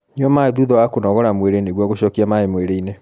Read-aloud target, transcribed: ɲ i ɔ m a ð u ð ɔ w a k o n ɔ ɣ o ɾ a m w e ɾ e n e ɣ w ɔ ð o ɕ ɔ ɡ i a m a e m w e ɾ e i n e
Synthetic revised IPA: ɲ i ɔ m a ð u ð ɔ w a k o n ɔ ɣ ɔ ɾ a m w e ɾ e n e ɣ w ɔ ɣ o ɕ ɔ k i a m a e m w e ɾ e i n e